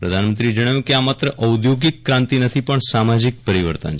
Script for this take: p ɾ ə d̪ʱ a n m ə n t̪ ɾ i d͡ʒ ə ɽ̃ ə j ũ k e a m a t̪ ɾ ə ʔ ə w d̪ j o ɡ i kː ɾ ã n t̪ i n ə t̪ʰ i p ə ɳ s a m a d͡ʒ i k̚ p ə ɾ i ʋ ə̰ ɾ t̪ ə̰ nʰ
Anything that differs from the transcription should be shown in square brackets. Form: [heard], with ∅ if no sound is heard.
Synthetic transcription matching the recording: p ɾ ə d̪ʱ a n m ə n t̪ ɾ i d͡ʒ ə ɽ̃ [a] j ũ k e a m a t̪ ɾ ə ʔ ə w d̪ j o ɡ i kː ɾ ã n t̪ i n ə t̪ʰ i p ə ɳ s a m a d͡ʒ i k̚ p ə ɾ i ʋ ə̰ ɾ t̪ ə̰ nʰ